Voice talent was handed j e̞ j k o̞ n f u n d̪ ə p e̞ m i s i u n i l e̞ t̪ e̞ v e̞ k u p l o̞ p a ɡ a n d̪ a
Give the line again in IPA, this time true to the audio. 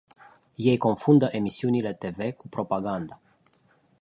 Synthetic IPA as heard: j e̞ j k o̞ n f u n d̪ ə ʔ e̞ m i s i u n i l e̞ t̪ e̞ v e̞ k u p ɾ o̞ p a ɡ a n d̪ a